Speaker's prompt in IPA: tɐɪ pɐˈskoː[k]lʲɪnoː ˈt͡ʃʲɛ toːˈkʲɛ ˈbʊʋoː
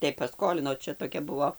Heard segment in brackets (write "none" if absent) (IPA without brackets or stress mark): none